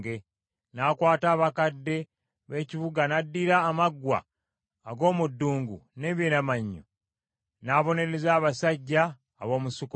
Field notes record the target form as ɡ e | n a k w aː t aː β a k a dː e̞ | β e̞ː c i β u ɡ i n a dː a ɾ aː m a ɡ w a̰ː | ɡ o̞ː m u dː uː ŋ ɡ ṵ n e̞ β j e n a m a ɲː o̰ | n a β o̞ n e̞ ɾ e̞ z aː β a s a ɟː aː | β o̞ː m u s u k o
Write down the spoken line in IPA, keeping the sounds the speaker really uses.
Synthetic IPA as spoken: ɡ e | n a k w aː t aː β a k a dː e̞ | β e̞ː c i β u ɡ a n a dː i ɾ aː m a ɡ w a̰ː | ɡ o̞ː m u dː uː ŋ ɡ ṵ n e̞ β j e n a m a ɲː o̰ | n a β o̞ n e̞ ɾ e̞ z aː β a s a ɟː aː | β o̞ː m u s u k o

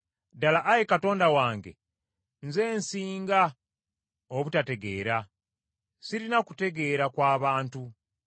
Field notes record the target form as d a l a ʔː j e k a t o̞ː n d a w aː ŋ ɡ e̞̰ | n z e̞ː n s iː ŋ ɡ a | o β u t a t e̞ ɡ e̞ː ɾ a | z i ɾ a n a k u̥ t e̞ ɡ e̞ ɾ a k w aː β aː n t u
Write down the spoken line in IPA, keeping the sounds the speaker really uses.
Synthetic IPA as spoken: d a l a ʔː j e k a t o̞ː n d a w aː ŋ ɡ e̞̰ | n z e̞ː n s iː ŋ ɡ a | o β u t a t e̞ ɡ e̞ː ɾ a | s i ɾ i n a k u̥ t e̞ ɡ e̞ ɾ a k w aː β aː n t u

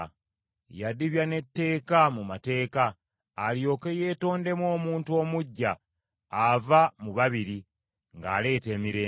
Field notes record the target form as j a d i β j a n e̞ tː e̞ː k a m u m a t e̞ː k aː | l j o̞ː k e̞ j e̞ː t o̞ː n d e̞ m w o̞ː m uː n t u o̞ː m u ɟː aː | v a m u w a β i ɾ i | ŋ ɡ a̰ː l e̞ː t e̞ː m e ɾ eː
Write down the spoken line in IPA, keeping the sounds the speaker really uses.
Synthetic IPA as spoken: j a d i β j a n e̞ tː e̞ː k a m u m a t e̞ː k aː | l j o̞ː k e̞ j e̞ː t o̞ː n d e̞ m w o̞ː m uː n t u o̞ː m u ɟː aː | v a m u β a β i ɾ i | ŋ ɡ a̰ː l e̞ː t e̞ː m i ɾ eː

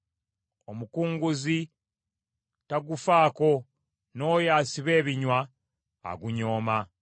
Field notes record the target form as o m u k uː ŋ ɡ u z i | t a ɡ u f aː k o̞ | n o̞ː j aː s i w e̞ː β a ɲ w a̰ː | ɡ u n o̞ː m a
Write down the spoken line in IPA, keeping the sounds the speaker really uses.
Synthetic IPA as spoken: o m u k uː ŋ ɡ u z i | t a ɡ u f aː k o̞ | n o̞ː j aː s i β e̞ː β i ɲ w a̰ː | ɡ u ɲ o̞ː m a

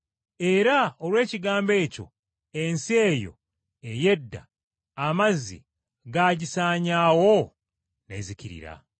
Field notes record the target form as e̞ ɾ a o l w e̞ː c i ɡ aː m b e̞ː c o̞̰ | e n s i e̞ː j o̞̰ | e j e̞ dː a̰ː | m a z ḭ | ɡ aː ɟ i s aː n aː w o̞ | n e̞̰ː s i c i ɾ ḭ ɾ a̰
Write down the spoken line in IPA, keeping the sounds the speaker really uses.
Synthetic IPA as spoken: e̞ ɾ a o l w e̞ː c i ɡ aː m b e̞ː c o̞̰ | e n s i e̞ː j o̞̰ | e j e̞ dː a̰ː | m a z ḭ | ɡ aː ɟ i s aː ɲ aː w o̞ | n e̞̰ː z i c i ɾ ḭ ɾ a̰

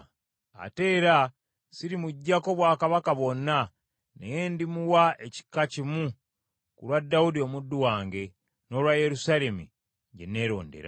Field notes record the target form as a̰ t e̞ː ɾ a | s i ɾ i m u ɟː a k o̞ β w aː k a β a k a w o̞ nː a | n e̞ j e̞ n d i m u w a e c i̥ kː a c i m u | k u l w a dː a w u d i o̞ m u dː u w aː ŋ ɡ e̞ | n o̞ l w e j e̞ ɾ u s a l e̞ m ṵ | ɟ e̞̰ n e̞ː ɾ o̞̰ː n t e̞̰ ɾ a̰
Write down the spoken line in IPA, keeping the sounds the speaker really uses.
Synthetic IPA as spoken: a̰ t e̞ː ɾ a | s i ɾ i m u ɟː a k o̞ β w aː k a β a k a β o̞ nː a | n e̞ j e̞ n d i m u w a e c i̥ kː a c i m u | k u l w a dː a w u d i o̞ m u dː u w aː ŋ ɡ e̞ | n o̞ l w a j e̞ ɾ u s a l e̞ m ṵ | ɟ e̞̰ n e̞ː ɾ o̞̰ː n d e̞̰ ɾ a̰

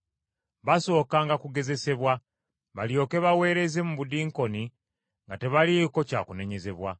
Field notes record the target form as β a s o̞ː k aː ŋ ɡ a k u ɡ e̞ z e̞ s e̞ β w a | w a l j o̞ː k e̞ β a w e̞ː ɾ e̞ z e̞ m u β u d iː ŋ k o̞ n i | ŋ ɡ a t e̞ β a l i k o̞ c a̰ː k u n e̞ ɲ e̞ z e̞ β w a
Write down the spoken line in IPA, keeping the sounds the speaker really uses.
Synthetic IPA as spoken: β a s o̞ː k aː ŋ ɡ a k u ɡ e̞ z e̞ s e̞ β w a | β a l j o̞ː k e̞ β a w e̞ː ɾ e̞ z e̞ m u β u d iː ŋ k o̞ n i | ŋ ɡ a t e̞ β a l i k o̞ c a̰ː k u n e̞ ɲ e̞ z e̞ β w a

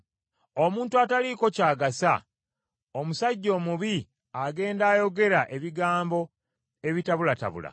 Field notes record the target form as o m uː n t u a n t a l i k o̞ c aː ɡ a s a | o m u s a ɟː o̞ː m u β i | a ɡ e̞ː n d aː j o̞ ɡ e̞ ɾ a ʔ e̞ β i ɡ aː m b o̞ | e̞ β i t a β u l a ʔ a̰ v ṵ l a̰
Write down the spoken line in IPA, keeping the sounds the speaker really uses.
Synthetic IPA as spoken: o m uː n t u a t a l i k o̞ c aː ɡ a s a | o m u s a ɟː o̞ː m u β i | a ɡ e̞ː n d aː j o̞ ɡ e̞ ɾ a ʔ e̞ β i ɡ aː m b o̞ | e̞ β i t a β u l a t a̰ β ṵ l a̰

